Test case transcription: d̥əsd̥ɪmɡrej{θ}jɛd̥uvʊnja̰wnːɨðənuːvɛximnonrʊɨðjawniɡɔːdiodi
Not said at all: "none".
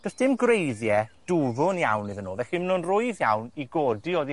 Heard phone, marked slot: ð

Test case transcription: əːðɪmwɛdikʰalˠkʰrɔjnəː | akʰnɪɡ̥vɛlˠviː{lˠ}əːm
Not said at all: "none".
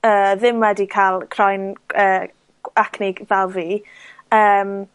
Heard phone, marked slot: none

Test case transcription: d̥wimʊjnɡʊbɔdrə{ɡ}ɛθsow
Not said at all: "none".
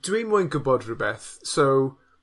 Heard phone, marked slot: b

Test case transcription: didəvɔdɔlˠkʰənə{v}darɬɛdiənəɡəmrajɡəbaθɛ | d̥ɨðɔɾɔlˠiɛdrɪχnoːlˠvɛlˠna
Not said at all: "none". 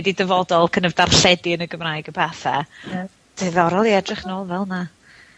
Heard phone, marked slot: v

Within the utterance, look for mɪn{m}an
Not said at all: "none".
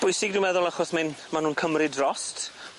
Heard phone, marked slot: m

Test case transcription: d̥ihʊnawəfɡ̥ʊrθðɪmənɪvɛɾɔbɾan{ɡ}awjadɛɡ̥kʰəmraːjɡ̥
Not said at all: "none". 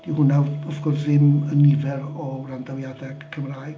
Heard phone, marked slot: d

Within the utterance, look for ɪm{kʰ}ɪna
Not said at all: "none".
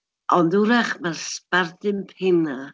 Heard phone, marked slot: pʰ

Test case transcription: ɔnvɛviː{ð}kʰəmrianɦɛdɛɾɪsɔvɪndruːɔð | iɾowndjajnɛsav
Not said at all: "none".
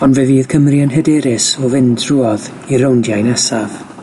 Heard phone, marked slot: ð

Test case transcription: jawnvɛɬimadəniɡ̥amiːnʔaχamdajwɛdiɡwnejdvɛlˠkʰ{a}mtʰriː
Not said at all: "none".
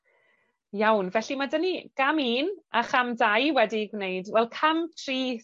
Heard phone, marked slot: a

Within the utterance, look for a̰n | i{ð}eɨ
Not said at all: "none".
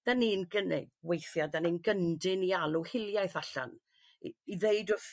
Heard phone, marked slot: ð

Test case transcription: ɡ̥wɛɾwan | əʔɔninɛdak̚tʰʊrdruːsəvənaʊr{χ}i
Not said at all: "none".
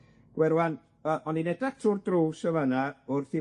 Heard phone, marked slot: θ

